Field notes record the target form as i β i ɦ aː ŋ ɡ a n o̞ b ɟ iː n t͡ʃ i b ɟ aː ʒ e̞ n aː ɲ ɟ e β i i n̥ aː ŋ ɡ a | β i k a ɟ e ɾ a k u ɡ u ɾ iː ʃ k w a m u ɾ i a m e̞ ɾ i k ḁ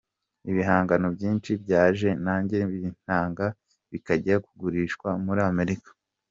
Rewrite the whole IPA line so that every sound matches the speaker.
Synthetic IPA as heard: i β i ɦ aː ŋ ɡ a n o̞ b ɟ iː n t͡ʃ i b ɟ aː ʒ e̞ n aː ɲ ɟ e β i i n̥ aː ŋ ɡ a | β i k a ɟ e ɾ a k u ɡ u ɾ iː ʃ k w a m u ɾ i a m e̞ ɾ i k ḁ

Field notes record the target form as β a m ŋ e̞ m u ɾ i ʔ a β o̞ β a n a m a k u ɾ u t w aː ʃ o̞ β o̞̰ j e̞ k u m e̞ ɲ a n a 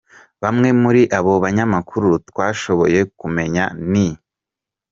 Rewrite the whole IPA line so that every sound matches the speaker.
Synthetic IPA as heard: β a m ŋ e̞ m u ɾ i ʔ a β o̞ β a ɲ a m a k u ɾ u t w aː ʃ o̞ β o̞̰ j e̞ k u m e̞ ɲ a n i

